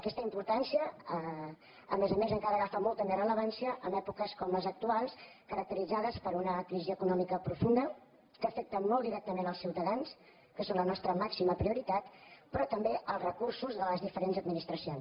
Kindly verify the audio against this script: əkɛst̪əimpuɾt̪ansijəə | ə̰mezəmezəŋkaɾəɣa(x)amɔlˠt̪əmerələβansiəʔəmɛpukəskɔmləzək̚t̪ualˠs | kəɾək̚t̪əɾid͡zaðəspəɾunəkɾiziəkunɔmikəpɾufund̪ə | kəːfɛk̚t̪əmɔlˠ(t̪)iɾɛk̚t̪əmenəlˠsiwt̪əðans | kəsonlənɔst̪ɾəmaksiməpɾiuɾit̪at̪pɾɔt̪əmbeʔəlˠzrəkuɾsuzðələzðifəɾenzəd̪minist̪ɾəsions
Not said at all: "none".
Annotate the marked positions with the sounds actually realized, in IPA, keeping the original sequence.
f, d̪

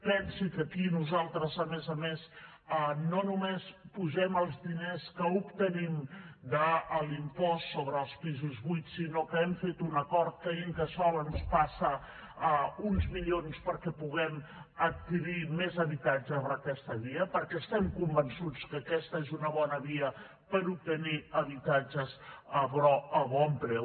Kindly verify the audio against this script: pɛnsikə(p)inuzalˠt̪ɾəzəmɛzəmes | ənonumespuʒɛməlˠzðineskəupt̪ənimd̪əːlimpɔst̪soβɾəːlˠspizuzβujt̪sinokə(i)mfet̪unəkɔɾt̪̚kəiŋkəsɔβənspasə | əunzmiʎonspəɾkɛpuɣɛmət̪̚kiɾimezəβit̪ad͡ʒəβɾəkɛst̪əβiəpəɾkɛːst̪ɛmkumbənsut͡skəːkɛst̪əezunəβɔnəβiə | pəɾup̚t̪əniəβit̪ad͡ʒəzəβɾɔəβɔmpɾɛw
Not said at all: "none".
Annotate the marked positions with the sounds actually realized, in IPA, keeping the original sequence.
k, ɛ

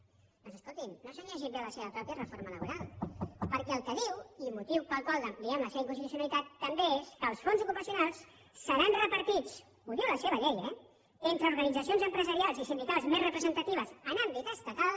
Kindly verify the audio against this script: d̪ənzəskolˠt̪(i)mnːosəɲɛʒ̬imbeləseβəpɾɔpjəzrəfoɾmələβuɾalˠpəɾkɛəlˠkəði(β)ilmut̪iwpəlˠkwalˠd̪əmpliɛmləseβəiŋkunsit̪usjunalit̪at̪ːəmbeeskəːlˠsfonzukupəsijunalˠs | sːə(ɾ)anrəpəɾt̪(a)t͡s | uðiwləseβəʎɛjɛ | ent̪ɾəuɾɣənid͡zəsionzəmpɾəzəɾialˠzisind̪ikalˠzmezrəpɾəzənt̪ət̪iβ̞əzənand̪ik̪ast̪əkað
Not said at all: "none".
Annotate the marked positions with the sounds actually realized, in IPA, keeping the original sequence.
i, w, ɾ, i

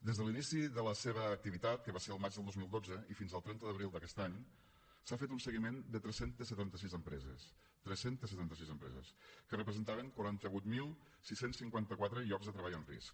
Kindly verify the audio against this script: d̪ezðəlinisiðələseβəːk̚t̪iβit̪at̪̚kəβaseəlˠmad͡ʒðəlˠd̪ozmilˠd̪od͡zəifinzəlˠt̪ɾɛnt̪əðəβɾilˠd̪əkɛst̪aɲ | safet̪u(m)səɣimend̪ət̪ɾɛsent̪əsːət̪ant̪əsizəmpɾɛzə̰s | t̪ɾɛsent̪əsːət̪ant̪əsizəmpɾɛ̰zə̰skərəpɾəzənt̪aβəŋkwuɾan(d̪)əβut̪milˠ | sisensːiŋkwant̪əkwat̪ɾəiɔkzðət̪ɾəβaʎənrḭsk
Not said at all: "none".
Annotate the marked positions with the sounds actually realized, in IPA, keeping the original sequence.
n, t̪

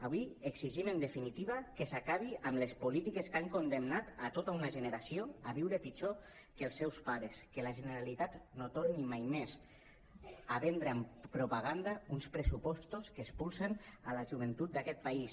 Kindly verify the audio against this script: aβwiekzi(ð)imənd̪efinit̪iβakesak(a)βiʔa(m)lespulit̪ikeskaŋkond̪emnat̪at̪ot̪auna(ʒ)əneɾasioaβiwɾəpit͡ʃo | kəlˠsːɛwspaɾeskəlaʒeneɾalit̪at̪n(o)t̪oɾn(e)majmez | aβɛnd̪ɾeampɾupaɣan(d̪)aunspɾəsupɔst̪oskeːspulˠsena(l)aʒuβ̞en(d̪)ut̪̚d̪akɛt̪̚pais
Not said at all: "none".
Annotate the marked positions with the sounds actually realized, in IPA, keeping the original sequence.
ʒ, a, m, ʒ, o, i, d̪, l, t̪

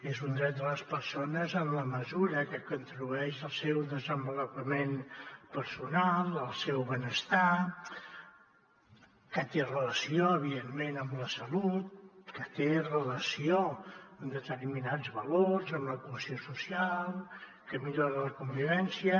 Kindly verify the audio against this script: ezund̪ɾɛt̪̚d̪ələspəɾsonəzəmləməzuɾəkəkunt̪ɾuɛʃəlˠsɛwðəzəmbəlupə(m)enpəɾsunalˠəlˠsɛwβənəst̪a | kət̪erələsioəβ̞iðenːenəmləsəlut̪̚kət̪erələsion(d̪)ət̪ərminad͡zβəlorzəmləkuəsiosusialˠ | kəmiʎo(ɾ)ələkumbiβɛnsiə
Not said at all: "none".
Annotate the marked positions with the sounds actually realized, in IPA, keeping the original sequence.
m, d̪, ɾ

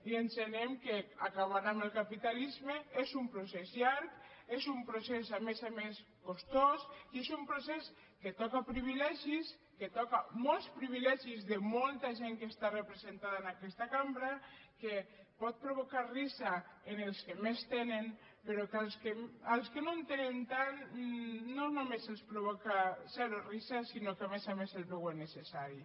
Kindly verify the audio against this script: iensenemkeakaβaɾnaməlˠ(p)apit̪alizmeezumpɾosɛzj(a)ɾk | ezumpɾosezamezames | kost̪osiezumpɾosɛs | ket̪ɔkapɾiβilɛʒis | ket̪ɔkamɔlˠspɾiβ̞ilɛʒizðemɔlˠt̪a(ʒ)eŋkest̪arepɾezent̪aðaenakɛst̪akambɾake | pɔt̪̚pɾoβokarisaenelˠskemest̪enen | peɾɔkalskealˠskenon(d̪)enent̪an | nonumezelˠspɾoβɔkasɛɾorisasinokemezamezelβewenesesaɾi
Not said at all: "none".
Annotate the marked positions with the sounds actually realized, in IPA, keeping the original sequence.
k, a, ʒ, t̪

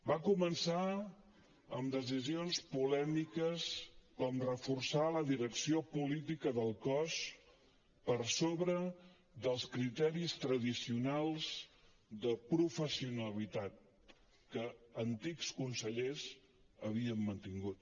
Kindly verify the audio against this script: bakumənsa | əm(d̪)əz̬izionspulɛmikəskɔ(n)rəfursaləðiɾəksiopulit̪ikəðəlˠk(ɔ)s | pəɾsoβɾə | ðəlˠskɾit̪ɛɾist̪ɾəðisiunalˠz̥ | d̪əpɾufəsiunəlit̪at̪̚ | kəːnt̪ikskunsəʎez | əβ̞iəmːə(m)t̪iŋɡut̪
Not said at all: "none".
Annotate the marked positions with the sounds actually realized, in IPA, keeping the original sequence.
d̪, m, ɔ, n

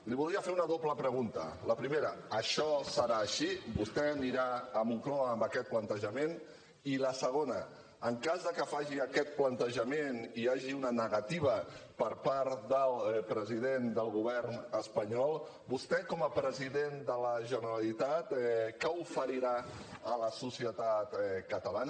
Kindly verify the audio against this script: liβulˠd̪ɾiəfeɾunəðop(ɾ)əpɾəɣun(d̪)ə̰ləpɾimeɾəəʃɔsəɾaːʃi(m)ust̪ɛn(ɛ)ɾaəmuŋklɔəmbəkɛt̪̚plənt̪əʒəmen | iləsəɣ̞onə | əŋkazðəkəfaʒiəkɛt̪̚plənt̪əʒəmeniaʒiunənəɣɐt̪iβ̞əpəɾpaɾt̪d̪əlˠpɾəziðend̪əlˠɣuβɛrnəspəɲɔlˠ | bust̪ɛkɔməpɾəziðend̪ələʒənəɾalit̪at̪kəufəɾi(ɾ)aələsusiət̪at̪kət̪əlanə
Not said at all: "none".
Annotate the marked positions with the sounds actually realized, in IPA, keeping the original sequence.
l, t̪, b, i, ɾ

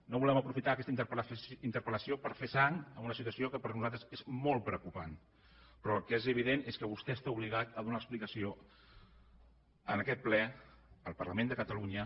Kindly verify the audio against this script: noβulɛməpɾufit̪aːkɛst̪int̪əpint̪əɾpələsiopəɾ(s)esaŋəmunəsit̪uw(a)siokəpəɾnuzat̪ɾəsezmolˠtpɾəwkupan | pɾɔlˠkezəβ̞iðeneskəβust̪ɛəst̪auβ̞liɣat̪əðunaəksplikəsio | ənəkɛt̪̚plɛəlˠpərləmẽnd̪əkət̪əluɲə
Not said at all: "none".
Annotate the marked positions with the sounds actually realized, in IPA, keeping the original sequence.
f, ə

